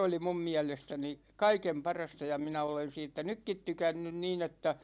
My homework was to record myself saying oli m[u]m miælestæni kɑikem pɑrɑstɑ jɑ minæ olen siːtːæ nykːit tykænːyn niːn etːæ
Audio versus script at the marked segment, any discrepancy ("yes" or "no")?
no